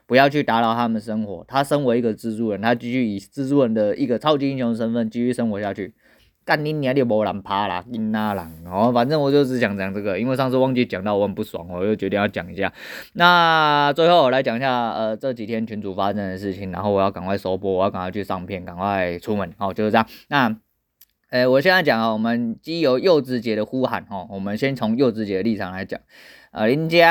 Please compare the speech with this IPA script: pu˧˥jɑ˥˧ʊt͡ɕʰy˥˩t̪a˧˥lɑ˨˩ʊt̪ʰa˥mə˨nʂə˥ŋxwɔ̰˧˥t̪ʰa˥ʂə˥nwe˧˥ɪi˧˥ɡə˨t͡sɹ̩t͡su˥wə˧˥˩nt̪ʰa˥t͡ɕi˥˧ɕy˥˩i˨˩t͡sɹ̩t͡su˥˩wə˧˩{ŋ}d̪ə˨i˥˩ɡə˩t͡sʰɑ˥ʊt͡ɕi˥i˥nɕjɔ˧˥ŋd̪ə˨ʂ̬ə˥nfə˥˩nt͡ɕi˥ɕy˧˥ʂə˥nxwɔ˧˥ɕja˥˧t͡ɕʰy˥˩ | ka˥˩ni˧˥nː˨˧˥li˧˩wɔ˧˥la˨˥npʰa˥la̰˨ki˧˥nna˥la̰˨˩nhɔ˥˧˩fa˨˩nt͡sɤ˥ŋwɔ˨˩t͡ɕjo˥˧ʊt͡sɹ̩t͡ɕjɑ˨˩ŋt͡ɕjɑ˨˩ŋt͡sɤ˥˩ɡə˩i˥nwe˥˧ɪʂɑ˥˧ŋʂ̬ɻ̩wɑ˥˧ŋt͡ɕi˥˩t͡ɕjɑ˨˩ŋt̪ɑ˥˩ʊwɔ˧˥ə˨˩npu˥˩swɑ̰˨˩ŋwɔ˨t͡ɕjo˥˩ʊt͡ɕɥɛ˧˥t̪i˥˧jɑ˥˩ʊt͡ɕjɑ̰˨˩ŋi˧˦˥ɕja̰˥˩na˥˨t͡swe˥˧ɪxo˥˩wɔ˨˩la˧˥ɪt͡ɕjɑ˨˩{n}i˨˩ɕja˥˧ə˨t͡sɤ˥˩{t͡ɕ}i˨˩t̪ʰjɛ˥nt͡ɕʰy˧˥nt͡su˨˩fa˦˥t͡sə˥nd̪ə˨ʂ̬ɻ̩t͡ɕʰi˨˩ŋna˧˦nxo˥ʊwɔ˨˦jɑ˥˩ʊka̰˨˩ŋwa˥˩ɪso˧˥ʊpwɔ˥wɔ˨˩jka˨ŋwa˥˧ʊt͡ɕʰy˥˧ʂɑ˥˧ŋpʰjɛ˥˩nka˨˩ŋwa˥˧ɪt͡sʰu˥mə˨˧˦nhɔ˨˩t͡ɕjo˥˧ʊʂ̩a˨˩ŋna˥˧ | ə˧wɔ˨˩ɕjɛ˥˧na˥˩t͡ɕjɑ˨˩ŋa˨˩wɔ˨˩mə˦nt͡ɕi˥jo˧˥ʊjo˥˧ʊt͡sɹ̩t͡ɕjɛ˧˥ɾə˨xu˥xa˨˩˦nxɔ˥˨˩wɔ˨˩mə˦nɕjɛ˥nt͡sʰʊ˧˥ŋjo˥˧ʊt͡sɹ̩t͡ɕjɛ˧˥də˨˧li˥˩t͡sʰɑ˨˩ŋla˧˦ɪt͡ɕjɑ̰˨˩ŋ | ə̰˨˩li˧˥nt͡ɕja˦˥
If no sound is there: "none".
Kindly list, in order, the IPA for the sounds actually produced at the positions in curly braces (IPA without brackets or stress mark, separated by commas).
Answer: n, ŋ, t͡ɕ